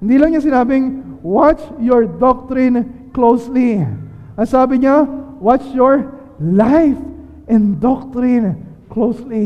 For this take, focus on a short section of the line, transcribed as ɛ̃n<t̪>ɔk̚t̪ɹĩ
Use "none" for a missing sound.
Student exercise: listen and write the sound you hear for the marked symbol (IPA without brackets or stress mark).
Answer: d̪